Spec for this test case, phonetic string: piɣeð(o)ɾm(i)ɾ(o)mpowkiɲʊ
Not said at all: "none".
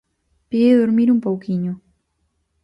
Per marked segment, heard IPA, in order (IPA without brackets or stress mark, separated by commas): o, i, u